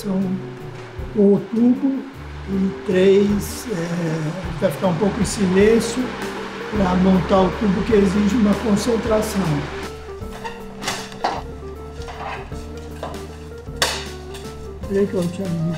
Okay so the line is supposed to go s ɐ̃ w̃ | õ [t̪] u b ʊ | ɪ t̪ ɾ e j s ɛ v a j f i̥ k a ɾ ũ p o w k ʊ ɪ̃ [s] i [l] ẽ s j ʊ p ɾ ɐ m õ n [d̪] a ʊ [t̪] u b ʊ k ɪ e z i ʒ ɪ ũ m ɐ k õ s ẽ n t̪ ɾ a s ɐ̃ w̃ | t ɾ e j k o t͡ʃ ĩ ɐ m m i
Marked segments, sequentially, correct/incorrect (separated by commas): correct, correct, correct, incorrect, correct